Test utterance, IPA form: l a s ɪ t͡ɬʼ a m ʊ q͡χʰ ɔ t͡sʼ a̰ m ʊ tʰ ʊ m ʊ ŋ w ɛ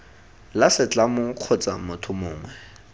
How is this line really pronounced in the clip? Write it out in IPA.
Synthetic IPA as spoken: l a s ɪ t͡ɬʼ a m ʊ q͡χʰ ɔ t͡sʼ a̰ m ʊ tʰ ʊ m ʊː ŋ w ɛ